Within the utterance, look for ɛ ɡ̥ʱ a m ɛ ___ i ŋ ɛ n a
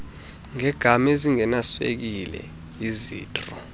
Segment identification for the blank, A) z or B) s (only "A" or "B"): A